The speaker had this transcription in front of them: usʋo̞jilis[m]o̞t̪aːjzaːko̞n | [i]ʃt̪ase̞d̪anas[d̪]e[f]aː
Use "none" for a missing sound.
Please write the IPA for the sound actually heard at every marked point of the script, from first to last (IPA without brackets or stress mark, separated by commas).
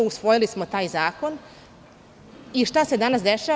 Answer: m, i, d̪, ʃ